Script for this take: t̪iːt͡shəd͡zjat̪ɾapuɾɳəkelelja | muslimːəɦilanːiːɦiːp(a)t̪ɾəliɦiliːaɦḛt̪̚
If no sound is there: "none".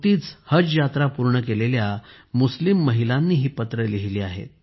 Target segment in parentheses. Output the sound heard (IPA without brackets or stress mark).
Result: ə